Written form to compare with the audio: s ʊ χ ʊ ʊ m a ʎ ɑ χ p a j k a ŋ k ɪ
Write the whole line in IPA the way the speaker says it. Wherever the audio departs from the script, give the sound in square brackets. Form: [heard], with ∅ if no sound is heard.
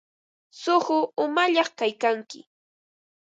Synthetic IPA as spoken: s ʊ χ ʊ ʊ m a ʎ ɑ χ [k] a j k a ŋ k ɪ